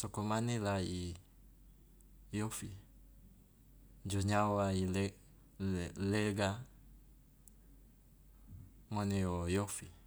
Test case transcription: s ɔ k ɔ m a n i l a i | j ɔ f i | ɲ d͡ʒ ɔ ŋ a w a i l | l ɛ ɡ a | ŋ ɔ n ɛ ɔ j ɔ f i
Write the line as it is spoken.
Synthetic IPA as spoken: s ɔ k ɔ m a n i l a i | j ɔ f i | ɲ d͡ʒ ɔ ɲ a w a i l | l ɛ ɡ a | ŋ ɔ n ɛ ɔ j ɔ f i